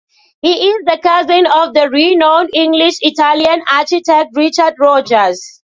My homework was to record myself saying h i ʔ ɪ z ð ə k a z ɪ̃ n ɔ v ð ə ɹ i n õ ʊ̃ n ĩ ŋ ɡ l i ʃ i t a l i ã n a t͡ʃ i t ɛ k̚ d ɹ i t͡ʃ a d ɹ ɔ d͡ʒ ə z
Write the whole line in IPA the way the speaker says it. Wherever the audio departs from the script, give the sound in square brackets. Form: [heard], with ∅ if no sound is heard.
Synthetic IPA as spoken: h i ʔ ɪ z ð ə k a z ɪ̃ n ɔ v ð ə ɹ i n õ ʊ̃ n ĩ ŋ ɡ l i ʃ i t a l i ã n a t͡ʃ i t ɛ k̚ [t] ɹ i t͡ʃ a d ɹ ɔ d͡ʒ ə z